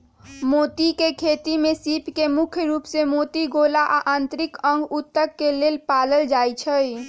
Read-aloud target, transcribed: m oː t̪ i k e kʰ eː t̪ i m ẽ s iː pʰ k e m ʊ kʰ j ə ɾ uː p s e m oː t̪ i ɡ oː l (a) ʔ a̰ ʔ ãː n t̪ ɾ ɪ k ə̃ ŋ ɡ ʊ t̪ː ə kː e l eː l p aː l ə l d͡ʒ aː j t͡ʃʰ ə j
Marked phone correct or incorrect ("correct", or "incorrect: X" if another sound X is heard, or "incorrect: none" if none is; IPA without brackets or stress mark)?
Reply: correct